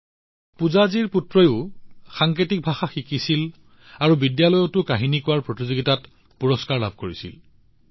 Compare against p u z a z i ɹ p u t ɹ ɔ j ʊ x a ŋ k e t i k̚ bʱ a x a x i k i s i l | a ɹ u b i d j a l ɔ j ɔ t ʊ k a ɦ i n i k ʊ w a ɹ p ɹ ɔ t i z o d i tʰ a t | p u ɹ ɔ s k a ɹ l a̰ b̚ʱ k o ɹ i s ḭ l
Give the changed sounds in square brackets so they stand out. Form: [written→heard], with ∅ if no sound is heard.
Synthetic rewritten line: p u z a z i ɹ p u t ɹ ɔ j ʊ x a ŋ k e t i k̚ bʱ a x a x i k i s i l | a ɹ u b i d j a l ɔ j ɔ t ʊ k a ɦ i n i k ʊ w a ɹ p ɹ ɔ t i z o [d→ɡ] i [tʰ→t] a t | p u ɹ ɔ s k a ɹ l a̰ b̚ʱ k o ɹ i s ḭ l